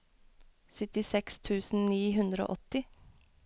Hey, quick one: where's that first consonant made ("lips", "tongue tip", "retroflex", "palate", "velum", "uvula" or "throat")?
tongue tip